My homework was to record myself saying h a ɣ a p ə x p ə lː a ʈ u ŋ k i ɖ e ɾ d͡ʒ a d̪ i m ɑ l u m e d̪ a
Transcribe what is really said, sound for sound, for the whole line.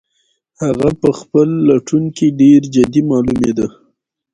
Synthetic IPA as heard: h a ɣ a p ə x p ə lː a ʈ u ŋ k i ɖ e ɾ d͡ʒ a d̪ i m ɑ l u m e d̪ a